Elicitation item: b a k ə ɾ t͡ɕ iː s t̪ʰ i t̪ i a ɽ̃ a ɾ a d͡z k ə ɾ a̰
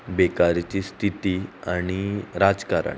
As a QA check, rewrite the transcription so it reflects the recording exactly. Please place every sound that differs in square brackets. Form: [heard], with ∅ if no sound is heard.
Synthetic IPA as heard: b [e] k [a] ɾ t͡ɕ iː s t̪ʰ i t̪ i a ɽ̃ [i] ɾ a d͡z k [a] ɾ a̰